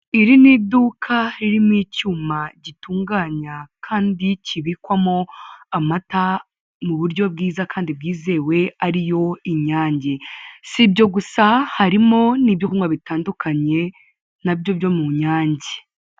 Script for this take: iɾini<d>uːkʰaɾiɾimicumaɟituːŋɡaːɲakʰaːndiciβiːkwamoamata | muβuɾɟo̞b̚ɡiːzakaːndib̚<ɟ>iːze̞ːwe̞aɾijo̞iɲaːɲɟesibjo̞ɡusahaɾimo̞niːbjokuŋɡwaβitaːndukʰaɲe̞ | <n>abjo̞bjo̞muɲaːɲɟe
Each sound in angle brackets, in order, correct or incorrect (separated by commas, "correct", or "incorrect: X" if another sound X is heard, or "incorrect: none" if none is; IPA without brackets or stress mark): correct, incorrect: ɡ, correct